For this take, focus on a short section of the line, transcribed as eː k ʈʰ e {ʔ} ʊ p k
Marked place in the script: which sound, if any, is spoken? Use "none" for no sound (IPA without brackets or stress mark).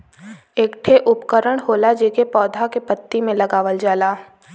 ʔ